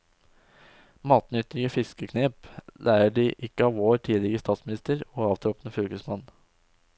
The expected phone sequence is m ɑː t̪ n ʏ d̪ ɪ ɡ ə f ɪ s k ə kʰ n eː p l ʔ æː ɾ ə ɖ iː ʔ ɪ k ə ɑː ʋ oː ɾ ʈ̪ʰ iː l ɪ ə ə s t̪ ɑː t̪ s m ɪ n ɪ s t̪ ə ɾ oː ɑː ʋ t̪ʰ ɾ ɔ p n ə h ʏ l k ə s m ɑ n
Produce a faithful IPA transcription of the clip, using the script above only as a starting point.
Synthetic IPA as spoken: m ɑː t̪ n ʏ t̪ ɪ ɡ ə f ɪ s k ə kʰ n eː p l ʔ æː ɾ ə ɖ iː ʔ ɪ k ə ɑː ʋ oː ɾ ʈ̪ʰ iː l ɪ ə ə s t̪ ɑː t̪ s m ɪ n ɪ s t̪ ə ɾ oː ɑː ʋ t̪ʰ ɾ ɔ p n ə f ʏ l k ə s m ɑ n